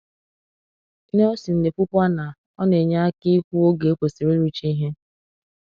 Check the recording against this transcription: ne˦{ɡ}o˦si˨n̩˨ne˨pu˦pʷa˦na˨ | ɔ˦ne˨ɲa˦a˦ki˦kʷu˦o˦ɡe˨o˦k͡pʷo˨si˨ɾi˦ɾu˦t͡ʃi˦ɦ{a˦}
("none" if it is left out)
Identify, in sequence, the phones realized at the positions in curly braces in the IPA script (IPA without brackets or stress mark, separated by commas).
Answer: none, e˦